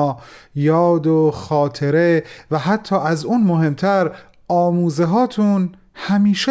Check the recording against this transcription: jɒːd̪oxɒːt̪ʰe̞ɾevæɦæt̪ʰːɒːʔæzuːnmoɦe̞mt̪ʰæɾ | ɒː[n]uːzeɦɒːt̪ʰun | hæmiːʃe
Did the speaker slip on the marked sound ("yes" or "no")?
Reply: yes